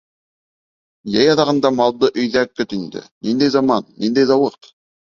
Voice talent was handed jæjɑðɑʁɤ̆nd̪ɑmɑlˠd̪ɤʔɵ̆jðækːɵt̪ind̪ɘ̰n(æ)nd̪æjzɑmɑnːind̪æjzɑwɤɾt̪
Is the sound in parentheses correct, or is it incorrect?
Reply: incorrect